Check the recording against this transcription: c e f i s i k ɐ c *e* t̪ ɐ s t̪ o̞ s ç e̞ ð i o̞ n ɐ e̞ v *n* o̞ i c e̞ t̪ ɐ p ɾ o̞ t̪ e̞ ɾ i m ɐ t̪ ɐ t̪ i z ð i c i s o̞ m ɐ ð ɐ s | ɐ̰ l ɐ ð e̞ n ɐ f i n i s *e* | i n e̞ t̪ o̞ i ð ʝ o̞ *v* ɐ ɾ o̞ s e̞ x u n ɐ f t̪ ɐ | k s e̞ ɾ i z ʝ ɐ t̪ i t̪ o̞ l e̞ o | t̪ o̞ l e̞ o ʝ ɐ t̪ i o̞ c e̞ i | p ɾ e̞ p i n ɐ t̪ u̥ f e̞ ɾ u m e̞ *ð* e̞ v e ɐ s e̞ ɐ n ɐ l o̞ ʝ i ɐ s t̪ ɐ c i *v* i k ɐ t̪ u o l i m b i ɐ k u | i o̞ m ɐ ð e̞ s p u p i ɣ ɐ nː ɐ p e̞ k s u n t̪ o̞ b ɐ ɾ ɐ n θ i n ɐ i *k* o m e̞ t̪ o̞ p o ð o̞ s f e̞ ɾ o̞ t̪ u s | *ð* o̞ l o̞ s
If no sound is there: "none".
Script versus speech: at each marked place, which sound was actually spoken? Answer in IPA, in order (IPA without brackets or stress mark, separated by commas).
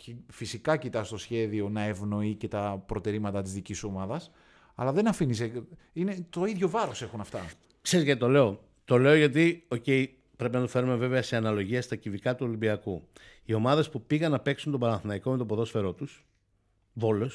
i, n, e, v, v, v, k, v